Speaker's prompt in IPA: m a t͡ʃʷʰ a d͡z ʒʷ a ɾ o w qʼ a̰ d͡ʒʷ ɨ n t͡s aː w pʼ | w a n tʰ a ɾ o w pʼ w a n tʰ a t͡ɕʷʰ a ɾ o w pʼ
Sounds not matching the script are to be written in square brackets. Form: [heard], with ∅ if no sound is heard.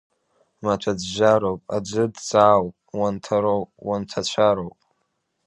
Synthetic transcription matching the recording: m a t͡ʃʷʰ a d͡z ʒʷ a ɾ o w [pʼ] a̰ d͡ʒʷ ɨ [d] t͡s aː w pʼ | w a n tʰ a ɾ o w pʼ w a n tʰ a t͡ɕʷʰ a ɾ o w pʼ